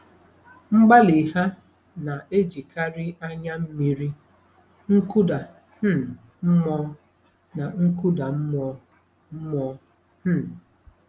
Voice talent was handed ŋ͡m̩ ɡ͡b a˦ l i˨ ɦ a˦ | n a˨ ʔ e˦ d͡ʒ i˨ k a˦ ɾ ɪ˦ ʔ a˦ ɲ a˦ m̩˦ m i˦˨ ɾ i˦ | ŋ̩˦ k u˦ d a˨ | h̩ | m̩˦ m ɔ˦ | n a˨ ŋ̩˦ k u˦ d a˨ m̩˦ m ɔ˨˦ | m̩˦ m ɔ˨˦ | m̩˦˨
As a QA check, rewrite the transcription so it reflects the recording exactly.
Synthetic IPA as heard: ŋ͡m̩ ɡ͡b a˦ l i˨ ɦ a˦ | n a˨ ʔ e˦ d͡ʒ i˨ k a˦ ɾ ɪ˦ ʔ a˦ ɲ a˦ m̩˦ m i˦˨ ɾ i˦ | ŋ̩˦ k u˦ d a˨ | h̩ | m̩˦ m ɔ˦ | n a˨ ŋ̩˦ k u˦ d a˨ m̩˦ m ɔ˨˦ | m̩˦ m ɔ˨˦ | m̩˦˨